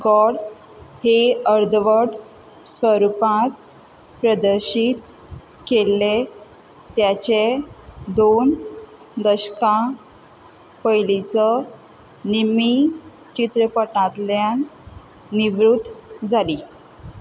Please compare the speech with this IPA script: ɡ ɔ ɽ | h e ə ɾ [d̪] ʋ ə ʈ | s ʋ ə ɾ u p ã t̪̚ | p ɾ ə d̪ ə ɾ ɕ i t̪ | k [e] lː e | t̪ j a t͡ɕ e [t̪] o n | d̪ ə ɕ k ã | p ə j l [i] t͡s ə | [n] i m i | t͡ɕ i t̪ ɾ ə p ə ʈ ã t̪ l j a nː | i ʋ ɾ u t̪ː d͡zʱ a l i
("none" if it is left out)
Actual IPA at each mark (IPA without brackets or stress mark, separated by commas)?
d̪, e, d̪, i, n